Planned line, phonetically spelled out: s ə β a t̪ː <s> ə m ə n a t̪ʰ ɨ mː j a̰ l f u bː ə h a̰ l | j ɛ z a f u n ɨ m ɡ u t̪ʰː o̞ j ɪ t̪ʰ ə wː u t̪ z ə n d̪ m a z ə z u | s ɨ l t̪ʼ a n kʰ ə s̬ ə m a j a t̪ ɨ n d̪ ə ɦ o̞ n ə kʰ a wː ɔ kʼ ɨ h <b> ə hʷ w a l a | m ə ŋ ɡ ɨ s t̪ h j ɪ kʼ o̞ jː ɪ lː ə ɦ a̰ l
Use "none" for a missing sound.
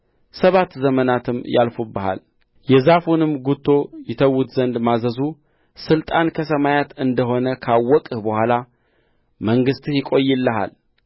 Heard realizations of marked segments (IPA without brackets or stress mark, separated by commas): z, b